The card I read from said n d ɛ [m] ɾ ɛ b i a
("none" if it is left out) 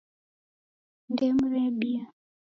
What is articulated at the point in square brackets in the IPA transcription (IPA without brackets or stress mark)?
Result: m